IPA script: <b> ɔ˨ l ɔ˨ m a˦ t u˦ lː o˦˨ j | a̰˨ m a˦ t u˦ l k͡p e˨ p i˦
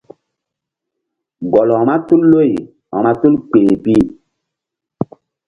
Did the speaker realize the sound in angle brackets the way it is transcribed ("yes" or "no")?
no